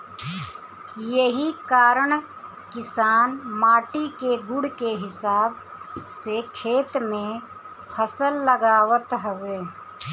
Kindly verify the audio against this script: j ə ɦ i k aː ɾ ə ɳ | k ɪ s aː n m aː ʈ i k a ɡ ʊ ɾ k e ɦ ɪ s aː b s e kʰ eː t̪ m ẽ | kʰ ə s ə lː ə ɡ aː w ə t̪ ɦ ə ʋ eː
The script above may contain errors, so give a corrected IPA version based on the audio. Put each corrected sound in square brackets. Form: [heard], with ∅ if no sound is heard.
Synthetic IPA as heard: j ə ɦ i k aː ɾ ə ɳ | k ɪ s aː n m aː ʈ i k [e] ɡ ʊ [ɽ] k e ɦ ɪ s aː b s e kʰ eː t̪ m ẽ | [pʰ] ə s ə lː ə ɡ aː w ə t̪ ɦ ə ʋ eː